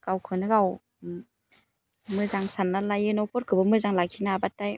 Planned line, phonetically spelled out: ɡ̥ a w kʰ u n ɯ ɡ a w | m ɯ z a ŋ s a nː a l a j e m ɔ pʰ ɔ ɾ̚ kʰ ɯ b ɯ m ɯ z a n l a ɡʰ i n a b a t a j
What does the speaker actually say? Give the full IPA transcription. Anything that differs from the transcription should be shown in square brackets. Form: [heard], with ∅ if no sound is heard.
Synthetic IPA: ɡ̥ a w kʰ [ɯ] n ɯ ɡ a w | m ɯ z a ŋ s a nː a l a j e [n] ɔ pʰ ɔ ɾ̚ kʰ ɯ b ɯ m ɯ z a [ŋ] l a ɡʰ i n a b a t a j